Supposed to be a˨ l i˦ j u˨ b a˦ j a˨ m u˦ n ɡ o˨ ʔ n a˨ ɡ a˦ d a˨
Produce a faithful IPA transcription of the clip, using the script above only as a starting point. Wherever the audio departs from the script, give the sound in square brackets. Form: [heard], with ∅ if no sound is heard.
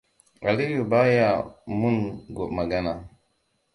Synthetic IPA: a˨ l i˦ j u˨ b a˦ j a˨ m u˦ n ɡ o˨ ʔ [m] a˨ ɡ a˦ [n] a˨